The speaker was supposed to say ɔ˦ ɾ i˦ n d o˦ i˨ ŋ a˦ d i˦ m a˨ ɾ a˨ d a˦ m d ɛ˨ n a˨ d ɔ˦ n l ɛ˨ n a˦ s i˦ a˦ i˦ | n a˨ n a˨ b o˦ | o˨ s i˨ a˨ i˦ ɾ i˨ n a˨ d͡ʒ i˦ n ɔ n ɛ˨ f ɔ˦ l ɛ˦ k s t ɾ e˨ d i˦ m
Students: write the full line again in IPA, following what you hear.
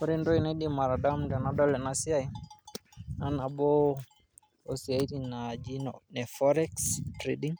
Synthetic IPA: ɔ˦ ɾ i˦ n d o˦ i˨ n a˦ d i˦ m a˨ ɾ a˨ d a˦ m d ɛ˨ n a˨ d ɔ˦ l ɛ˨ n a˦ s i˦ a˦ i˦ | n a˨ n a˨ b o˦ | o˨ s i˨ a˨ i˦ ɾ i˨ n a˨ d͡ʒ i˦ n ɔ n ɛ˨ f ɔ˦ ɾ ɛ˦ k s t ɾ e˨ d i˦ ŋ